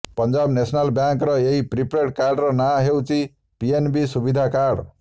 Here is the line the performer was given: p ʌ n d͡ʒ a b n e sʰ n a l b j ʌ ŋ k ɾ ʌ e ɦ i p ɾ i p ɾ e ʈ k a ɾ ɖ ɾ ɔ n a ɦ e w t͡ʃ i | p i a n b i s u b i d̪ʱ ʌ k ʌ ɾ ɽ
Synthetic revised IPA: p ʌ n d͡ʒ a b n e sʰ n a l b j a ŋ k ɾ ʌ e ɦ i p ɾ i p ɾ e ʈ k a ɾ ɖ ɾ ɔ n a ɦ e w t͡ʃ i | p i e n b i s u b i d̪ʱ a k a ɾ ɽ